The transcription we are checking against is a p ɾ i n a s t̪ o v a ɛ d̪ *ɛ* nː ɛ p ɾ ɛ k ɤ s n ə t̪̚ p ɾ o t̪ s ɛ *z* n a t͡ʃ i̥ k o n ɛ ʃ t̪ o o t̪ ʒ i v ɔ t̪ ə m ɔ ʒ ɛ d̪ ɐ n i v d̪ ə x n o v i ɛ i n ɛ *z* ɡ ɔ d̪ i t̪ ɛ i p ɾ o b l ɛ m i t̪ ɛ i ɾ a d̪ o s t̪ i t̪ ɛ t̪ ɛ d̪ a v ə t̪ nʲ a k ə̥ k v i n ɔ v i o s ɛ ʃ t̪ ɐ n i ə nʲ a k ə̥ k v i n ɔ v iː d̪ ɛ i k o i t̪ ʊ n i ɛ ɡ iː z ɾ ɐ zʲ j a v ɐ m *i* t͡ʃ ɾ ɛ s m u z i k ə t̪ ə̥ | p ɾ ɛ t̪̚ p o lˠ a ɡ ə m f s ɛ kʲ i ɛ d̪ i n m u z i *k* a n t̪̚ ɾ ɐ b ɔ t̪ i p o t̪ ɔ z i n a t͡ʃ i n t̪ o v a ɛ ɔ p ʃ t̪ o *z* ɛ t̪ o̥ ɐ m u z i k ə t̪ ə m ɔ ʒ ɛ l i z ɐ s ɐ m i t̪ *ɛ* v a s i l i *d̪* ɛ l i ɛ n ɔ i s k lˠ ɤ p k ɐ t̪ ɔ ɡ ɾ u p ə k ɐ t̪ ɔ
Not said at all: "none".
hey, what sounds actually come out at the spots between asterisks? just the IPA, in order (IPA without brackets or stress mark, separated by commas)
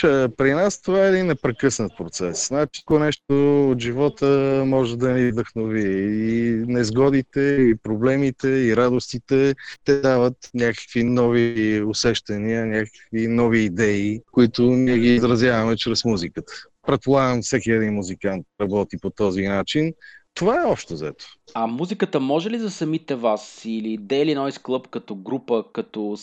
i, s, z, ɛ, k, z, ɛ, d̪